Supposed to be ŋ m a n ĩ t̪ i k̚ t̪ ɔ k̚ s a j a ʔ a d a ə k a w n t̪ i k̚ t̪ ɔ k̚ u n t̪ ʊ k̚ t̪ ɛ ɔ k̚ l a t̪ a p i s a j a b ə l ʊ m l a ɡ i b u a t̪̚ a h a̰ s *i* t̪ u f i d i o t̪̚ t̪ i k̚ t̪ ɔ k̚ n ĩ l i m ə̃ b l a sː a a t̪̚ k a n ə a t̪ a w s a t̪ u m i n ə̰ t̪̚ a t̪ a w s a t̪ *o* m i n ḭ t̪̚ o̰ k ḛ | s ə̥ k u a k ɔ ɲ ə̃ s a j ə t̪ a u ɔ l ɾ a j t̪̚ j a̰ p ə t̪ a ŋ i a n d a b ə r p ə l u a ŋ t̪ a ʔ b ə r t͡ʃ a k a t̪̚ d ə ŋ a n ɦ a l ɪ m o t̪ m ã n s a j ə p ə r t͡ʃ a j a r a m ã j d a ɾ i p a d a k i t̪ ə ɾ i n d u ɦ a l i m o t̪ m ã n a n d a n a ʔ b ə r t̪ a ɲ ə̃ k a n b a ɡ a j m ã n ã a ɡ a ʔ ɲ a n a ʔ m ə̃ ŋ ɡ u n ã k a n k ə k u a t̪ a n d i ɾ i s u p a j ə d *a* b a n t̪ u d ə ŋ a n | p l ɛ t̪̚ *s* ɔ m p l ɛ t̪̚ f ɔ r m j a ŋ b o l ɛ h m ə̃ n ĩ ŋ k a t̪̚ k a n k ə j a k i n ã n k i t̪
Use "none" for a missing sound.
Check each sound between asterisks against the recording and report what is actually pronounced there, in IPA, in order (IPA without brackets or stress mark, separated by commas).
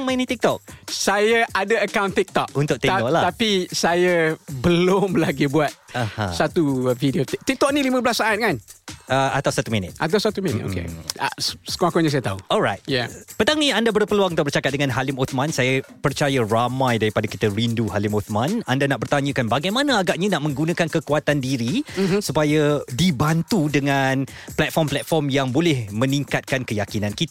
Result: a, u, i, f